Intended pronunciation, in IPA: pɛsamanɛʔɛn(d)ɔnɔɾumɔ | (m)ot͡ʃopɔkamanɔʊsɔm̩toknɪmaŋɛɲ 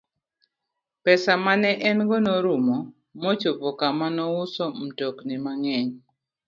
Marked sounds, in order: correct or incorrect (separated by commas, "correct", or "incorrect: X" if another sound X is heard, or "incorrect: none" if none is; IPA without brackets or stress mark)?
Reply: incorrect: ɡ, correct